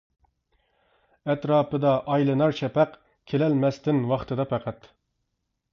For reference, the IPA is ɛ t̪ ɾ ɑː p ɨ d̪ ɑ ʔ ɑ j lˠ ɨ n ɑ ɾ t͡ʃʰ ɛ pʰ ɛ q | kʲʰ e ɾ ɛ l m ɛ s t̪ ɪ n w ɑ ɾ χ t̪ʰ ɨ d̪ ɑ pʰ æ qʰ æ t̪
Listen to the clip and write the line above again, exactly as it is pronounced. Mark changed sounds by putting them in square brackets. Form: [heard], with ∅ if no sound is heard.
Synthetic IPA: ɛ t̪ ɾ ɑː p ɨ d̪ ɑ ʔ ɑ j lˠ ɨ n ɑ ɾ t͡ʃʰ ɛ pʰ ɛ q | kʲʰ e [l] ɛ l m ɛ s t̪ ɪ n w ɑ [∅] χ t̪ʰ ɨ d̪ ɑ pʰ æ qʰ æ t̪